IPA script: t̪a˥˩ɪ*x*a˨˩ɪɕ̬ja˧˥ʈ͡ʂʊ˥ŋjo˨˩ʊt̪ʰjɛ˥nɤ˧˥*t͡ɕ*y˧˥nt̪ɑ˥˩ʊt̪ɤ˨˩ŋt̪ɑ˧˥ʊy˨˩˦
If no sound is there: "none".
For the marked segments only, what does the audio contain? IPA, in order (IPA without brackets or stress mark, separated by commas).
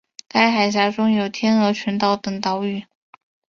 x, t͡ɕʰ